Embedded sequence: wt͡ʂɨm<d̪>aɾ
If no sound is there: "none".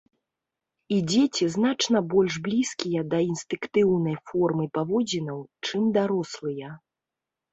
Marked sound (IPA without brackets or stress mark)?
d̪